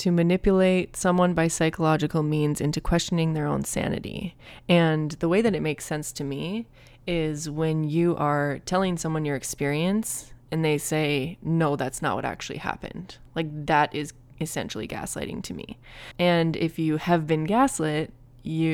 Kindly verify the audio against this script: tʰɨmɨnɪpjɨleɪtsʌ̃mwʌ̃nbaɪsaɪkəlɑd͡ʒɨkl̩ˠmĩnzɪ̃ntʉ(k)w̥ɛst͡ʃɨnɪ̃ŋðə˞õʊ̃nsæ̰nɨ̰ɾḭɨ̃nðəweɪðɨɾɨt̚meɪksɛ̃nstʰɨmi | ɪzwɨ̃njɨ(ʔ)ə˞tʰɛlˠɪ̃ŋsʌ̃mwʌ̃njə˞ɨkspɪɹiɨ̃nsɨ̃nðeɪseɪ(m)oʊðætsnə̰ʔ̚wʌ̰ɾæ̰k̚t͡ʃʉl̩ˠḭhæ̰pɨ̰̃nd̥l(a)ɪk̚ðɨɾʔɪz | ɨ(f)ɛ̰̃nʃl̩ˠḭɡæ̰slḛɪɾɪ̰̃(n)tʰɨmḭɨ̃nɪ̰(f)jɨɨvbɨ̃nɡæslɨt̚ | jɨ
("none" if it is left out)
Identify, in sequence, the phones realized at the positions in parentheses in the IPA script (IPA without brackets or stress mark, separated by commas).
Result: kʰ, ʔ, n, a, s, ŋ, f